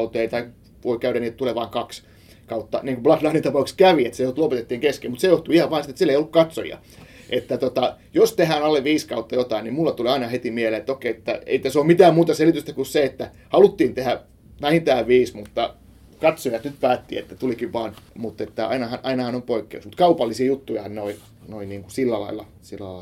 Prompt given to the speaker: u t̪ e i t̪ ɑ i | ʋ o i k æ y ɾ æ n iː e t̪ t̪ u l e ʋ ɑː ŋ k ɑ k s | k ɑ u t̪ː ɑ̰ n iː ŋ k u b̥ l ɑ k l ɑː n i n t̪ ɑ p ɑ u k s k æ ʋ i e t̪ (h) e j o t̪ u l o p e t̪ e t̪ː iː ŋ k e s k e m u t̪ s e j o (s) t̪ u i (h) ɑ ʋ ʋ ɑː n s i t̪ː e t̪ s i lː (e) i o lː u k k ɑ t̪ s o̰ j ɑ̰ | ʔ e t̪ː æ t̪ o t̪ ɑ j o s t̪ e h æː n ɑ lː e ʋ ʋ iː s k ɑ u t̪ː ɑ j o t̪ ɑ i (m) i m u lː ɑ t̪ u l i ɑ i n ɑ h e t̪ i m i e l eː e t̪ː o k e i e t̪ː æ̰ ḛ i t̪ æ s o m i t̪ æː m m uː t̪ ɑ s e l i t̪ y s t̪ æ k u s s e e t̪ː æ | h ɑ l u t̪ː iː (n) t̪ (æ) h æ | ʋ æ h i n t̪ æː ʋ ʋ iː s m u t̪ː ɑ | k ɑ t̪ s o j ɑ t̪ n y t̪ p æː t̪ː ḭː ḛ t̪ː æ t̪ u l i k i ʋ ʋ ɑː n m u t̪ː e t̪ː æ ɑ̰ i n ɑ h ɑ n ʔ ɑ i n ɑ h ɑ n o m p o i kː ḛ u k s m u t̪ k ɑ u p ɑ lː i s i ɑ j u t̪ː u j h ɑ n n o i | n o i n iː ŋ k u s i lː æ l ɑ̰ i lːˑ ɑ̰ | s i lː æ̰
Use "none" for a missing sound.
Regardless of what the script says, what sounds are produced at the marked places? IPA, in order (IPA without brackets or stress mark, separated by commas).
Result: s, h, h, e, n, n, e